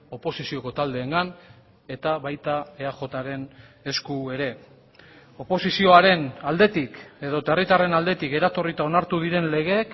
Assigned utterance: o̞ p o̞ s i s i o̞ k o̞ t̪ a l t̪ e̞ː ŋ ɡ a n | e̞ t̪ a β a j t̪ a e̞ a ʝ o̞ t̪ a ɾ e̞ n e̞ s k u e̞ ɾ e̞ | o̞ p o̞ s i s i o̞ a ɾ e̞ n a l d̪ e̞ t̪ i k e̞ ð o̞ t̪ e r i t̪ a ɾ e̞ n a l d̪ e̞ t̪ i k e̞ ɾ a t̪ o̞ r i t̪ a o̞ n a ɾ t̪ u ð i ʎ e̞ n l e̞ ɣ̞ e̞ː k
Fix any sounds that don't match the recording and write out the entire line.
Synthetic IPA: o̞ p o̞ s i s i o̞ k o̞ t̪ a l d̪ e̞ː ŋ ɡ a n | e̞ t̪ a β a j t̪ a e̞ a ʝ o̞ t̪ a ɾ e̞ n e̞ s k u e̞ ɾ e̞ | o̞ p o̞ s i s i o̞ a ɾ e̞ n a l d̪ e̞ t̪ i k e̞ ð o̞ t̪ e r i t̪ a r e̞ n a l d̪ e̞ t̪ i k e̞ ɾ a t̪ o̞ r i t̪ a o̞ n a ɾ t̪ u ð i ɾ e̞ n l e̞ ɣ̞ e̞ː k

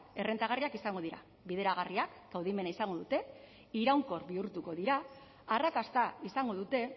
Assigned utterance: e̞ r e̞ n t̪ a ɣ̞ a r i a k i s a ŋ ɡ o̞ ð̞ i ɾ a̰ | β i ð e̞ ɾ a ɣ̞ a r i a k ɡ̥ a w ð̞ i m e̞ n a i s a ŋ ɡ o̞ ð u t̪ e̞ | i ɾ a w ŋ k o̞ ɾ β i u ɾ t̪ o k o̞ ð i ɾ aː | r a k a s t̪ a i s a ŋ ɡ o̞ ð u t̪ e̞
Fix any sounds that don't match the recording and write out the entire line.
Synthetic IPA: e̞ r e̞ n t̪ a ɣ̞ a r i a k i s a ŋ ɡ o̞ ð̞ i ɾ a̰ | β i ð e̞ ɾ a ɣ̞ a r i a k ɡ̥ a w ð̞ i m e̞ n a i s a ŋ ɡ o̞ ð u t̪ e̞ | i ɾ a w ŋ k o̞ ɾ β i u ɾ t̪ u k o̞ ð i ɾ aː | r a k a s t̪ a i s a ŋ ɡ o̞ ð u t̪ e̞

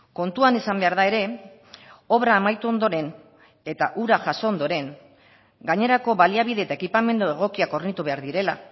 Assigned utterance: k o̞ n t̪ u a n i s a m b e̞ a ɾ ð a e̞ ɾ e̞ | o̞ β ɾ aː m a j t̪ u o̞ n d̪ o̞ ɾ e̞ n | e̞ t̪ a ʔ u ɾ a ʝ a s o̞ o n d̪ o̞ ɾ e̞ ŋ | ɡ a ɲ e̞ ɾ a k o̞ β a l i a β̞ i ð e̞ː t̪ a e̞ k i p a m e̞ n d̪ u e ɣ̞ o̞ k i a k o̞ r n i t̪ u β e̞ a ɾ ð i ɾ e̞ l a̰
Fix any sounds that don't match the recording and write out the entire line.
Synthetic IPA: k o̞ n t̪ u a n i s a m b e̞ a ɾ ð a e̞ ɾ e̞ | o̞ β ɾ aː m a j t̪ u o̞ n d̪ o̞ ɾ e̞ n | e̞ t̪ a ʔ u ɾ a ʝ a s o̞ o n d̪ o̞ ɾ e̞ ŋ | ɡ a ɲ e̞ ɾ a k o̞ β a l i a β̞ i ð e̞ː t̪ a e̞ k i p a m e̞ n d̪ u e ɣ̞ o̞ k i a k o̞ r n i t̪ u β e̞ a ɾ ð i ɾ e̞ l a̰

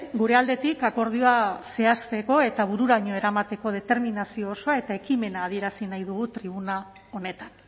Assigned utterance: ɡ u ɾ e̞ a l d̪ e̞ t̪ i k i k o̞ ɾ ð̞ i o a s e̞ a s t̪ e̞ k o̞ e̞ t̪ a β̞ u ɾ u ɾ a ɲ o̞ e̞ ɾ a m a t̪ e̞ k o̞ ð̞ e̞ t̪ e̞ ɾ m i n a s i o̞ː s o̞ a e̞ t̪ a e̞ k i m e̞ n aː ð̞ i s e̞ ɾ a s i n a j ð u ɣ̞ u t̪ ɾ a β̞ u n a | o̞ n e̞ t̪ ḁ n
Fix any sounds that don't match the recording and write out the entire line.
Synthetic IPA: ɡ u ɾ e̞ a l d̪ e̞ t̪ i k a k o̞ ɾ ð̞ i o a s e̞ a s t̪ e̞ k o̞ e̞ t̪ a β̞ u ɾ u ɾ a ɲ o̞ e̞ ɾ a m a t̪ e̞ k o̞ ð̞ e̞ t̪ e̞ ɾ m i n a s i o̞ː s o̞ a e̞ t̪ a e̞ k i m e̞ n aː ð̞ i e̞ ɾ a s i n a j ð u ɣ̞ u t̪ ɾ i β̞ u n a | o̞ n e̞ t̪ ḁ n

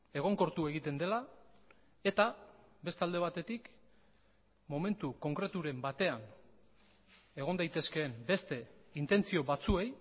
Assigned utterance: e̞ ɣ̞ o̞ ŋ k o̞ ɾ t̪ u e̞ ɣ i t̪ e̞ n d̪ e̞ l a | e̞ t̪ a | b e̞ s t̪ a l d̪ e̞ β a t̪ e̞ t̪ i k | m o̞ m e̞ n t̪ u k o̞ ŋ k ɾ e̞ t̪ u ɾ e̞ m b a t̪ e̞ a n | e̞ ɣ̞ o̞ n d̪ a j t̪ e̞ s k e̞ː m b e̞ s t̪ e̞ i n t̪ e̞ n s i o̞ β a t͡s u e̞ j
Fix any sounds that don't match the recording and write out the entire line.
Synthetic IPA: e̞ ɣ̞ o̞ ŋ k o̞ ɾ t̪ u e̞ ɣ i t̪ e̞ n d̪ e̞ l a | e̞ t̪ a | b e̞ s t̪ a l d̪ e̞ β a t̪ e̞ t̪ i k | m o̞ m e̞ n t̪ u k o̞ ŋ k ɾ e̞ t̪ u ɾ e̞ m b a t̪ e̞ a n | e̞ ɣ̞ o̞ n d̪ a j t̪ e̞ s k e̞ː m b e̞ s t̪ e̞ i n t̪ e̞ n t͡s i o̞ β a t͡s u e̞ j

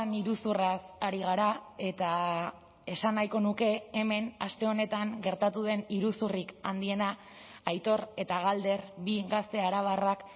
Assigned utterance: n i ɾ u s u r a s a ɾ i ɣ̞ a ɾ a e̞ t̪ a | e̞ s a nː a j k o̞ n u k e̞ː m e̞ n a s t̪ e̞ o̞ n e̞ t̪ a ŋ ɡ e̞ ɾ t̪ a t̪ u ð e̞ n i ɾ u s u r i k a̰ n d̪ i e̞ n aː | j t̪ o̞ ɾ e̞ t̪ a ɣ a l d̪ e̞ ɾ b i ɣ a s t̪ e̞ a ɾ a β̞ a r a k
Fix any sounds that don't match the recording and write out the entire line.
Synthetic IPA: n i ɾ u s u r a s a ɾ i ɣ̞ a ɾ a e̞ t̪ a | e̞ s a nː a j k o̞ n u k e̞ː m e̞ n a s t̪ e̞ o̞ n e̞ t̪ a ŋ ɡ e̞ ɾ t̪ a t̪ u ð e̞ n i ɾ u s u r i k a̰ n d̪ i e̞ n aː | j t̪ o̞ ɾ e̞ t̪ a ɣ a l d̪ e̞ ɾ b i ɣ a s t̪ e̞ a ɾ a β̞ a r a k

